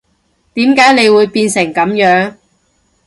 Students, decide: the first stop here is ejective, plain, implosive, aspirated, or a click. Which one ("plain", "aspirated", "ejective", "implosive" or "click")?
plain